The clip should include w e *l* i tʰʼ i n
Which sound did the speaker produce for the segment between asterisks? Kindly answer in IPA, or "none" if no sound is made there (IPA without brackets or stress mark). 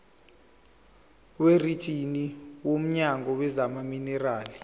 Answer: r